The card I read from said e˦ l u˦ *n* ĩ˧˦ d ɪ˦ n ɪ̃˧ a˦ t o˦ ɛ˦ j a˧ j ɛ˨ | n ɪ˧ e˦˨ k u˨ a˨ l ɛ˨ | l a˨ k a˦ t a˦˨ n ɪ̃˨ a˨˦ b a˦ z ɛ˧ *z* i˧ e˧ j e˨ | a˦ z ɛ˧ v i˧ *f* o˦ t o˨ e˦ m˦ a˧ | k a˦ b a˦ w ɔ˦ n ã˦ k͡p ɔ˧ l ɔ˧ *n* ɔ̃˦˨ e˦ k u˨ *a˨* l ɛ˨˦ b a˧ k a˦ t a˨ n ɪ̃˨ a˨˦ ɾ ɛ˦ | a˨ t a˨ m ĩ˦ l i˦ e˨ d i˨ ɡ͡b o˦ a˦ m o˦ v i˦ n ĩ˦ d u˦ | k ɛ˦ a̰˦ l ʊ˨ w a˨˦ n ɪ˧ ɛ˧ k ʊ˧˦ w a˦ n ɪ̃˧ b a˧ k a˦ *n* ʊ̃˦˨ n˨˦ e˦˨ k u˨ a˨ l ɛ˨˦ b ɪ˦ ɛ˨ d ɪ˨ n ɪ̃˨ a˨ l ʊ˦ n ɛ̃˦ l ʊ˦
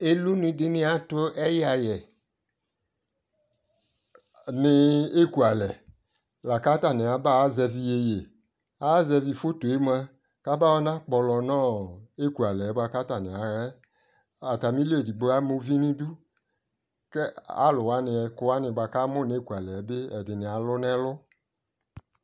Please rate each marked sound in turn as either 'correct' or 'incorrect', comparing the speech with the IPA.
correct, incorrect: v, correct, correct, correct, incorrect: m

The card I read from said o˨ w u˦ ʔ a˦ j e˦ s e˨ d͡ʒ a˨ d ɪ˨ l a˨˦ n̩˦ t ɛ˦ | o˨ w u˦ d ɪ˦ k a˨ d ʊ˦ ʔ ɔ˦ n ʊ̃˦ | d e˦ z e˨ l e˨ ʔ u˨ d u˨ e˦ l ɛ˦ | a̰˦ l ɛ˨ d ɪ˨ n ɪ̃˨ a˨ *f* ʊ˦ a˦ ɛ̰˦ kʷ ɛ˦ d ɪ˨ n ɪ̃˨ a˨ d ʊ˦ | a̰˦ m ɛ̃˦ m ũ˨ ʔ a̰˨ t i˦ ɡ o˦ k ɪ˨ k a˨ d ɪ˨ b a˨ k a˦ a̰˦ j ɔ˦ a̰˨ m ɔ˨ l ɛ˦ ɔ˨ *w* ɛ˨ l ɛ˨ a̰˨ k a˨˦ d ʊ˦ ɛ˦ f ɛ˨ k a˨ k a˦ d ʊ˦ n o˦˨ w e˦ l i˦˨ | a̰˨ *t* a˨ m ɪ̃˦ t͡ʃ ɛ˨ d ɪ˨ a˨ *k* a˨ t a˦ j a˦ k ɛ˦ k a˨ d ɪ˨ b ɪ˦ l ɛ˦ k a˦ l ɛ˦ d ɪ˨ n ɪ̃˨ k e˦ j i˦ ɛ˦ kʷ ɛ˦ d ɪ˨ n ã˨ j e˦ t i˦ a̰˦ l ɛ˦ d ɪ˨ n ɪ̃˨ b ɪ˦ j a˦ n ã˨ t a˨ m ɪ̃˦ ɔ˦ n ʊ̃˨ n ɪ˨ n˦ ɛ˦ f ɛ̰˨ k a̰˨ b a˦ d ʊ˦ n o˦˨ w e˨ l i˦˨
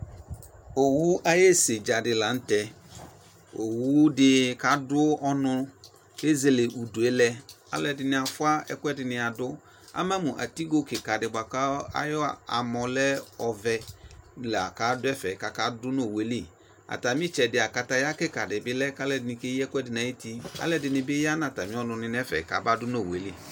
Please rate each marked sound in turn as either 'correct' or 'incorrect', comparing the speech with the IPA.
correct, incorrect: v, correct, correct

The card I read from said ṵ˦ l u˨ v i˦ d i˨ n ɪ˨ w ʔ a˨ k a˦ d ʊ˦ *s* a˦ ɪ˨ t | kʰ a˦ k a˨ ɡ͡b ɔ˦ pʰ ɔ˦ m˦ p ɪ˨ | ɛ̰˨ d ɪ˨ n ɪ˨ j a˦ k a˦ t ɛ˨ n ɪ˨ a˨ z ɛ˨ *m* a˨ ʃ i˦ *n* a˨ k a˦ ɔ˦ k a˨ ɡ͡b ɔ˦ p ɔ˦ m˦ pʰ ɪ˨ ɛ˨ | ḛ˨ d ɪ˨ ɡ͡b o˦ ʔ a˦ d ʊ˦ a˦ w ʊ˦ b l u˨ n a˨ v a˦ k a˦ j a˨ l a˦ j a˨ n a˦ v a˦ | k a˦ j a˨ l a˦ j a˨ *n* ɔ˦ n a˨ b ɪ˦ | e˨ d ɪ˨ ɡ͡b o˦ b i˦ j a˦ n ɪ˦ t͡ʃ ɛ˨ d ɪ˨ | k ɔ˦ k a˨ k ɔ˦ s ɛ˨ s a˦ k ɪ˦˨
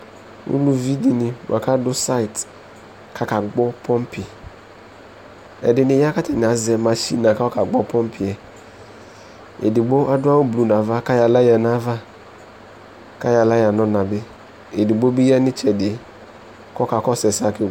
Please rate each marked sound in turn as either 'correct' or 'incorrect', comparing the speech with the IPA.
correct, correct, correct, correct

